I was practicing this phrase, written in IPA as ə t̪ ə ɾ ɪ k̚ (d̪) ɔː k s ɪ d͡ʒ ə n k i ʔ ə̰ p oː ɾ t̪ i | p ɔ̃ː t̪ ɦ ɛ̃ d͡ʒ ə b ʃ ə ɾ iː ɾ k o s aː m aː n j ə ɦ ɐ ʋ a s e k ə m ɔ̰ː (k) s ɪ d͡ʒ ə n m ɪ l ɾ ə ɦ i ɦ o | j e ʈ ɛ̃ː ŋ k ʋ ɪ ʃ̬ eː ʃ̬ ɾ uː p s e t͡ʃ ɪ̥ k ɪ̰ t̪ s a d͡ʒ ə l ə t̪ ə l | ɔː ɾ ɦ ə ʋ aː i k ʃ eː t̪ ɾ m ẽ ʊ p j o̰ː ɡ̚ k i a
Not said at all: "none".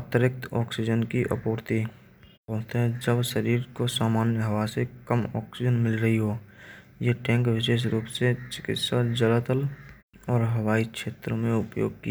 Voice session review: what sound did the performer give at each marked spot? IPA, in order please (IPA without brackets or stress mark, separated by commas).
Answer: t̪, k